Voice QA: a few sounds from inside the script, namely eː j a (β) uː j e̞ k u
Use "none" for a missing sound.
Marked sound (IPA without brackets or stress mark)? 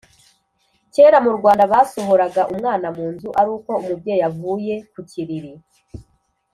v